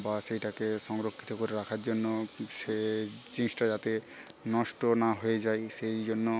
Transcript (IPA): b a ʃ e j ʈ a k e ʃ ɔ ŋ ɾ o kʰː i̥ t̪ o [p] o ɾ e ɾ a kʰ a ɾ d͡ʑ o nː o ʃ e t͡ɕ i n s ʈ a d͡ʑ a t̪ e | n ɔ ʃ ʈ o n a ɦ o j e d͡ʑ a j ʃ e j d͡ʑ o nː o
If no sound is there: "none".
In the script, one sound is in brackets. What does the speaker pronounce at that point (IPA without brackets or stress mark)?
k